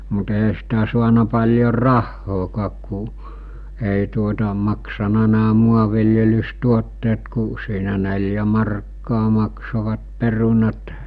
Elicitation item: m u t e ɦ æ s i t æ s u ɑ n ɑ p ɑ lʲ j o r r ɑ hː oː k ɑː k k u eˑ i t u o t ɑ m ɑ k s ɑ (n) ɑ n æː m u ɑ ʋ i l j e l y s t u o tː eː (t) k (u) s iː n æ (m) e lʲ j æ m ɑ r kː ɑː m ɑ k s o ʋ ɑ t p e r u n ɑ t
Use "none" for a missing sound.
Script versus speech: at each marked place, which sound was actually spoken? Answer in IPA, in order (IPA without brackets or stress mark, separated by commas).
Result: n, t, u, n